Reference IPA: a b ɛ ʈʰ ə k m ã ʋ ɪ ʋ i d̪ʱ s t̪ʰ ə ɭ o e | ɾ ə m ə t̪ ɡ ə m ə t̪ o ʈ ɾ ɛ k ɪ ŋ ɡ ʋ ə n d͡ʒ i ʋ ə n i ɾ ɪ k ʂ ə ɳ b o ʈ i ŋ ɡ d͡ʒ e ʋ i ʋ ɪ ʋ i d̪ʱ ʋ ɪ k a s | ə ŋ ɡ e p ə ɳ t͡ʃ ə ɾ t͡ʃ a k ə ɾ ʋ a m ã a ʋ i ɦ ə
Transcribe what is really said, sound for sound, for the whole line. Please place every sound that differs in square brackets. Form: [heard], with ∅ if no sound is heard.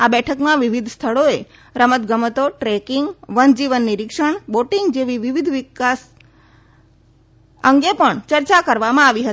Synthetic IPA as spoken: a b ɛ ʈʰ ə k m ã ʋ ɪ ʋ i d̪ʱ s t̪ʰ ə ɭ o e | ɾ ə m ə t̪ ɡ ə m ə t̪ o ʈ ɾ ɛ k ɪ ŋ ɡ ʋ ə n d͡ʒ i ʋ ə [nː] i ɾ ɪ k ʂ ə ɳ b o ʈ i ŋ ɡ d͡ʒ e ʋ i ʋ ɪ ʋ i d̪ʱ ʋ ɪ k a s | ə ŋ ɡ e p ə ɳ t͡ʃ ə ɾ t͡ʃ a k ə ɾ ʋ a m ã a ʋ i ɦ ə